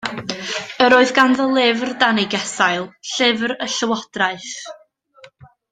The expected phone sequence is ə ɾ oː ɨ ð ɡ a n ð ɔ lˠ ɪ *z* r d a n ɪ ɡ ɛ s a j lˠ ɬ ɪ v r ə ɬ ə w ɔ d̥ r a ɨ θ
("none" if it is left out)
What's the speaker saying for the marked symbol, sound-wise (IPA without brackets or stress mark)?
v